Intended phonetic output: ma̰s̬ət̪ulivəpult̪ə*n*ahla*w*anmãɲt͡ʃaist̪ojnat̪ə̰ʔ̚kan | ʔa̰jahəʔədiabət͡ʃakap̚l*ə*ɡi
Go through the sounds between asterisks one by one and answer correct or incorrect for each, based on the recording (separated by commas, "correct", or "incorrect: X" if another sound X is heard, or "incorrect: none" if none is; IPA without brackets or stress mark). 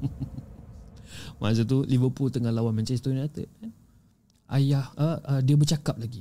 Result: incorrect: ŋ, correct, incorrect: a